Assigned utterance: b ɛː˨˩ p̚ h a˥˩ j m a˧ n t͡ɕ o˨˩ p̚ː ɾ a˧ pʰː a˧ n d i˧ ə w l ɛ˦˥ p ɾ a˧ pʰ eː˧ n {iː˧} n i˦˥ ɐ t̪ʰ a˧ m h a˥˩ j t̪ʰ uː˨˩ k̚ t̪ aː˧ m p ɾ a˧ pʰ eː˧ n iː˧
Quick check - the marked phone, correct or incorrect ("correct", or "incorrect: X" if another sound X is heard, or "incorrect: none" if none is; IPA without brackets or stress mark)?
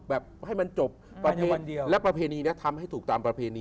correct